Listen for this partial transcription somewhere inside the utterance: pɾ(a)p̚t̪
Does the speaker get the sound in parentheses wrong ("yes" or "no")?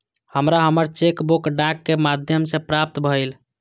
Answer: no